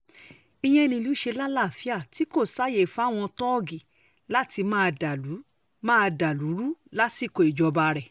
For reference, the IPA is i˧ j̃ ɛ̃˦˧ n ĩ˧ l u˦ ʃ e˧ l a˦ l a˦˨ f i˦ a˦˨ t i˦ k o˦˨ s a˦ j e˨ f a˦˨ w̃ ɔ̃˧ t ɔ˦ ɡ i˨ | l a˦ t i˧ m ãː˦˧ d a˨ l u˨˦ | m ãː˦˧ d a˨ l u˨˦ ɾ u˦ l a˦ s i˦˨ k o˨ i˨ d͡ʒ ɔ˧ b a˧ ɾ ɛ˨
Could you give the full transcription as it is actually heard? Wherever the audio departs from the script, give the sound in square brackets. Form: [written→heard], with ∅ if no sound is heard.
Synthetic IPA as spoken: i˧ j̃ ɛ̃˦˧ n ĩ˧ l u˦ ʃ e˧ l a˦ l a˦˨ f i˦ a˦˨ t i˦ k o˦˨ s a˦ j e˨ f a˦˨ w̃ ɔ̃˧ t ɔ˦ ɡ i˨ | l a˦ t i˧ m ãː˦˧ d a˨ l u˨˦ | m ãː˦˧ d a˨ l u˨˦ ɾ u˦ l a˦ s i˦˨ k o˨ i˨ d͡ʒ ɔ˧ b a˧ ɾ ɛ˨